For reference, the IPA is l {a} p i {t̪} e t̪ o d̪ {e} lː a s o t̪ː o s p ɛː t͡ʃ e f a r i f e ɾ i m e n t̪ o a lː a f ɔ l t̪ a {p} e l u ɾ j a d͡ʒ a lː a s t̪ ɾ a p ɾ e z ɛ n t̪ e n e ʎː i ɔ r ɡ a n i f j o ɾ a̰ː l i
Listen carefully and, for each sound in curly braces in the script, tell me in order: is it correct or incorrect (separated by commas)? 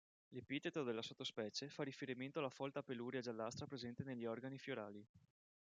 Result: incorrect, correct, correct, correct